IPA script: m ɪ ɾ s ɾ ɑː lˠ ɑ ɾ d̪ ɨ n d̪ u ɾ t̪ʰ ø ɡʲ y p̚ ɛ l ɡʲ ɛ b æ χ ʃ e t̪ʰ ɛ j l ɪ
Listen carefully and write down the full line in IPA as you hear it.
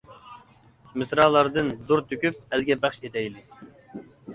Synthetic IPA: m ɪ s ɾ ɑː lˠ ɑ ɾ d̪ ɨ n d̪ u ɾ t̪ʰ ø kʲ y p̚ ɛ l ɡʲ ɛ b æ χ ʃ e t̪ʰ ɛ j l ɪ